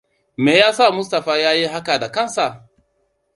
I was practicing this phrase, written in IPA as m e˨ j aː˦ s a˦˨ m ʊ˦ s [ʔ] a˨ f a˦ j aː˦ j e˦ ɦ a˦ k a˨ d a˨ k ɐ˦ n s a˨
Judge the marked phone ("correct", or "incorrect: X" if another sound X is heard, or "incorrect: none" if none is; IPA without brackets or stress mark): incorrect: t